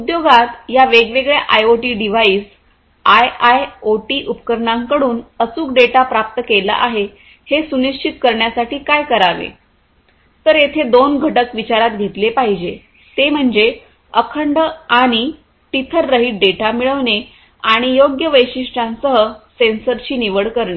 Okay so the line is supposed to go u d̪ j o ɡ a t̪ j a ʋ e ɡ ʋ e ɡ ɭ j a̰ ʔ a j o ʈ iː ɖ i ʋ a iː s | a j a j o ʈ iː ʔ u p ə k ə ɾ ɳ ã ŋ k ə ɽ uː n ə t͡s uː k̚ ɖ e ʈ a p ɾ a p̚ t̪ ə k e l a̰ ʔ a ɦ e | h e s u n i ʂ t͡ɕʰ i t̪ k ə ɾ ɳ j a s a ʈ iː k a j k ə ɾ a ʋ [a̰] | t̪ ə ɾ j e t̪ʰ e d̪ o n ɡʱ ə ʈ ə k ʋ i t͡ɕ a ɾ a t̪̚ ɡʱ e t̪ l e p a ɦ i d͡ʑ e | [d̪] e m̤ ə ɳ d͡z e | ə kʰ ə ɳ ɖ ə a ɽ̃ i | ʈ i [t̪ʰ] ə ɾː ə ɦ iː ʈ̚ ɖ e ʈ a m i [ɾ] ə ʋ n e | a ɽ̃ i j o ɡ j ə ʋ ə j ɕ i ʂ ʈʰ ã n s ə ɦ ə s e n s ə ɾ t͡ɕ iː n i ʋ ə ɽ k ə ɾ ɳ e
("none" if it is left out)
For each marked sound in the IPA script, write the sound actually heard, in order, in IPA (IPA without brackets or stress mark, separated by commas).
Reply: ḛ, t̪, t̪ʰ, ɭ